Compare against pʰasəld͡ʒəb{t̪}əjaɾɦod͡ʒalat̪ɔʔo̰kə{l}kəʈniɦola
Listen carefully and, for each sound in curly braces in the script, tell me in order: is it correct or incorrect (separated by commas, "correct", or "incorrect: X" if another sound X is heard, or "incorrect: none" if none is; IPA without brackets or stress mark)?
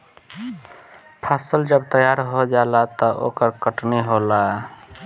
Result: correct, incorrect: ɾ